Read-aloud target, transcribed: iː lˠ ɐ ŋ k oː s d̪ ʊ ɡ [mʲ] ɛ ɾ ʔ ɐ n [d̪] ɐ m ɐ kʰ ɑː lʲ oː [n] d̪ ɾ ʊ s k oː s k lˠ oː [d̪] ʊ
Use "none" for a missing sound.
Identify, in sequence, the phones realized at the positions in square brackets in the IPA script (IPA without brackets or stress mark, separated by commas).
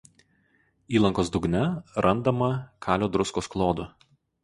nʲ, d̪, none, d̪